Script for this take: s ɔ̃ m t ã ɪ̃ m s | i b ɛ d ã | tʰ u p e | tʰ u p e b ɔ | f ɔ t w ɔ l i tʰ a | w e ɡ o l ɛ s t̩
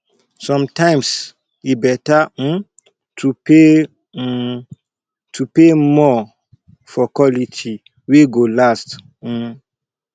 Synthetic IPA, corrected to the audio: s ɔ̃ m t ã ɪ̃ m s | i b ɛ t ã | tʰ u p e | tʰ u p e m ɔ | f ɔ k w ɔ l i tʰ i | w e ɡ o l a s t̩